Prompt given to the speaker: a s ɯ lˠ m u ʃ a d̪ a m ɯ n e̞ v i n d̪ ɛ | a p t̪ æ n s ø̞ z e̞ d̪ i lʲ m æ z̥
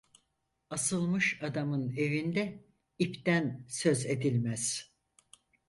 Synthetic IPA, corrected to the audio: a s ɯ lˠ m ɯ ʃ a d̪ a m ɯ n e̞ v i n d̪ ɛ | i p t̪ æ n s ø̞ z e̞ d̪ i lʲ m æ z̥